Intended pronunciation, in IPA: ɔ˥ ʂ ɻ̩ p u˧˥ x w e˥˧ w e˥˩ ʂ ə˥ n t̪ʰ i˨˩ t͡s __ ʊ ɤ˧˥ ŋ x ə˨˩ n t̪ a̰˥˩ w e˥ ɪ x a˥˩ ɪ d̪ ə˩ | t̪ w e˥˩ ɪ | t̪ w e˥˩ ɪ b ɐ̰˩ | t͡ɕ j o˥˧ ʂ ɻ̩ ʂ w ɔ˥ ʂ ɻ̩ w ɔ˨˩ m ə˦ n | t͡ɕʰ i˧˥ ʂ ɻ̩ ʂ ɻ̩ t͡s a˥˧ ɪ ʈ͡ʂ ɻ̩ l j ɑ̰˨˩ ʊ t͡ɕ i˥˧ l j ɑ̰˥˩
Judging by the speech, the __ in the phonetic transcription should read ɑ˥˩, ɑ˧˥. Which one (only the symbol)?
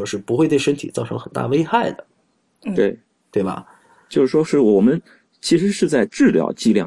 ɑ˥˩